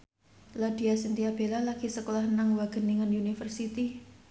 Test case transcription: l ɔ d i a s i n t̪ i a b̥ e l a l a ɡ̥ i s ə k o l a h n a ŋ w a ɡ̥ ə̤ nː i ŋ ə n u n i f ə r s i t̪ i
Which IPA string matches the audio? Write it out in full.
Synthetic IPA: l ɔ d i a s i n t̪ i a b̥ e l a l a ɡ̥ i s ə k o l a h n a ŋ w a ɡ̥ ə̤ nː i ŋ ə n u n i f ə r s i t̪ i